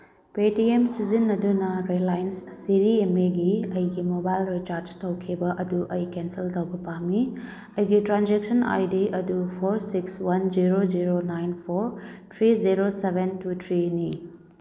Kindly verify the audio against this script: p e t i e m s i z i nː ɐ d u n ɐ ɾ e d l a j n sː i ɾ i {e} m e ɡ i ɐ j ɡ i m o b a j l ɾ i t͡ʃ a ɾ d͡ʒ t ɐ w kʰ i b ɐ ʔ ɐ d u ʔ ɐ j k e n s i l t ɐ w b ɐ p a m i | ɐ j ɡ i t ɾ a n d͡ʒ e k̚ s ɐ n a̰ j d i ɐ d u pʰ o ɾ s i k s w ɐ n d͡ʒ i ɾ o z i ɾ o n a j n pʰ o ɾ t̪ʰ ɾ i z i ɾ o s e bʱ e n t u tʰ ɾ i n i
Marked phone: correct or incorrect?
correct